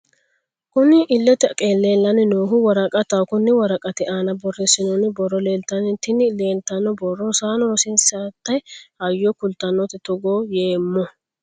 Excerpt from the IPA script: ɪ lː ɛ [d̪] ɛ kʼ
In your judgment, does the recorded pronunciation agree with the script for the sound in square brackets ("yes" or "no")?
no